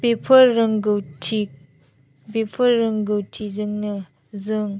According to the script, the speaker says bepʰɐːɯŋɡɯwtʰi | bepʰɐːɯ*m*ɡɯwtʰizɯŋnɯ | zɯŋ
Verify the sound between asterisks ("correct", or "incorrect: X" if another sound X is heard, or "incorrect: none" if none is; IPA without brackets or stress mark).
incorrect: ŋ